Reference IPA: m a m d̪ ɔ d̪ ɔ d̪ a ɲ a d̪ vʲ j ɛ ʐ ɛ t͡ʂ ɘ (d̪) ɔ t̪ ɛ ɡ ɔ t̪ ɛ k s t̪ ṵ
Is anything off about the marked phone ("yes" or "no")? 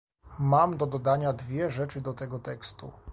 no